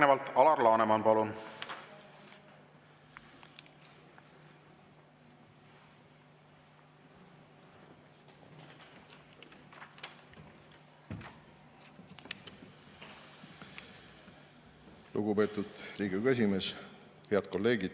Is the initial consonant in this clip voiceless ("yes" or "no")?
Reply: no